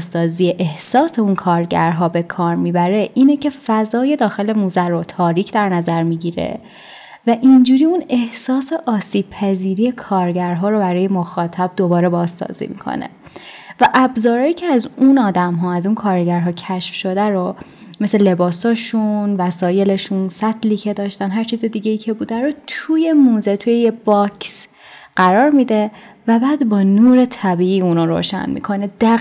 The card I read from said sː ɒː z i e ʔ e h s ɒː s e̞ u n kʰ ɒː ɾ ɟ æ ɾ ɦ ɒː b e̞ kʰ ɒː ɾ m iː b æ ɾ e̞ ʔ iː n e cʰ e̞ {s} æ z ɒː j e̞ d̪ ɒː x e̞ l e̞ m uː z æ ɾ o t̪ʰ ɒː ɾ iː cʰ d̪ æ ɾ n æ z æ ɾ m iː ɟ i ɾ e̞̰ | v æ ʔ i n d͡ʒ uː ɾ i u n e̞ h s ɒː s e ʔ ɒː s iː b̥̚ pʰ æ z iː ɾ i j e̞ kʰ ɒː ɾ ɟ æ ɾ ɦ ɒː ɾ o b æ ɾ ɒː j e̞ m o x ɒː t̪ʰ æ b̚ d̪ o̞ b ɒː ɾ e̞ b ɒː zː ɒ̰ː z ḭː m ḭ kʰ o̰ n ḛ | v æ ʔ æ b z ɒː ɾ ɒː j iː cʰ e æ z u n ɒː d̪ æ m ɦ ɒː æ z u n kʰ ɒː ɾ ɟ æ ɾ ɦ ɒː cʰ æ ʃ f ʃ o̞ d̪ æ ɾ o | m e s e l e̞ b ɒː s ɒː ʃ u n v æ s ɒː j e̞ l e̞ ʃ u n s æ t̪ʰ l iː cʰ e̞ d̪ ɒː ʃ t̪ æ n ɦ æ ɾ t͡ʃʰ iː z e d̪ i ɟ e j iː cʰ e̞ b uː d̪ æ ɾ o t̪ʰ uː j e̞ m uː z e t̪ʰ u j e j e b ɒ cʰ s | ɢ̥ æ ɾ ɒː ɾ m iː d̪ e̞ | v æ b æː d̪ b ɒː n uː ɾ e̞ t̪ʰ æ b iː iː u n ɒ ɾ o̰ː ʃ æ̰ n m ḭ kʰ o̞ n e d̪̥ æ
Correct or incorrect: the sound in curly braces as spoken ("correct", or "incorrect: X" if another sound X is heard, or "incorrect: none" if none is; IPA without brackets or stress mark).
incorrect: f